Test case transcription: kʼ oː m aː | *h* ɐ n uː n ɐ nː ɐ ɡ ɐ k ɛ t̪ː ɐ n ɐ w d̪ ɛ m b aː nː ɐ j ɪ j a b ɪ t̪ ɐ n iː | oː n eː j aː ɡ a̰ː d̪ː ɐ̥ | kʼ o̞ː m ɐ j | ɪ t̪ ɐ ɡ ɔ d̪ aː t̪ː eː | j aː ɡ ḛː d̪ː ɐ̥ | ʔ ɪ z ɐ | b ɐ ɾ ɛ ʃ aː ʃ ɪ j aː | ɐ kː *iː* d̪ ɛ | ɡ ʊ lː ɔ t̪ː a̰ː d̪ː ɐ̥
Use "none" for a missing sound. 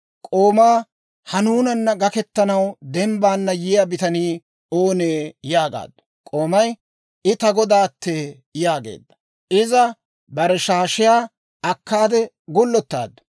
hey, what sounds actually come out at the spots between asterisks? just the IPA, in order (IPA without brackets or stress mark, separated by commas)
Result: h, aː